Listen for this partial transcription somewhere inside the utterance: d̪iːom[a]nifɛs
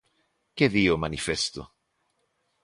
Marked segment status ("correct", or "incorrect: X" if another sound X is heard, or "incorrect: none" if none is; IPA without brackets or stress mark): correct